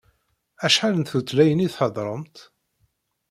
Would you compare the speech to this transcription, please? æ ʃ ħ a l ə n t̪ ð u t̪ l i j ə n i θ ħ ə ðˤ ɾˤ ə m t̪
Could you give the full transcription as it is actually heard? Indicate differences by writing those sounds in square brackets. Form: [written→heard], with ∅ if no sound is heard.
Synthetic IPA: æ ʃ ħ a l ə n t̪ [ð→θ] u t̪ l [i→æ] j ə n i θ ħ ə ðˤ ɾˤ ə m t̪